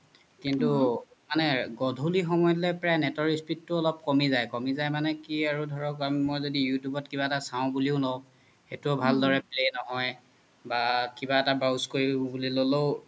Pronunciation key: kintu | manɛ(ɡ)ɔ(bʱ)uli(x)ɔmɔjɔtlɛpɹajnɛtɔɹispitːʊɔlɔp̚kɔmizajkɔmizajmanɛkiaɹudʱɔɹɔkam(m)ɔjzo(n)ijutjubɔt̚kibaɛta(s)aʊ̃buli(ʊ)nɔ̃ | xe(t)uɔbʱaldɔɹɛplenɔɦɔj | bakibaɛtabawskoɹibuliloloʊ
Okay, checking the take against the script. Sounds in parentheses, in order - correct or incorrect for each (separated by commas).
correct, incorrect, correct, correct, incorrect, correct, correct, correct